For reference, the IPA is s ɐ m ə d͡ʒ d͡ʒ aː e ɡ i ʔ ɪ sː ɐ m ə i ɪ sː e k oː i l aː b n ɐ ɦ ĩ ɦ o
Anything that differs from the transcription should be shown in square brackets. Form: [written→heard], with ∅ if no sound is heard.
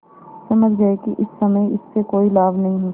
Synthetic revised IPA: s ɐ m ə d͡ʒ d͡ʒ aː e [ɡ→k] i ʔ ɪ sː ɐ m ə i ɪ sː e k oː i l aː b n ɐ ɦ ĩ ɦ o